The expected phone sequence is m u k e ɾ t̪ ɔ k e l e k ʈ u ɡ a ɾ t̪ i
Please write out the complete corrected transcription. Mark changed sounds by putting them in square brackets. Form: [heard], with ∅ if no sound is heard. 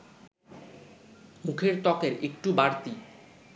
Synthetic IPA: m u [kʰ] e ɾ t̪ ɔ k e [ɾ] e k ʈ u [b] a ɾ t̪ i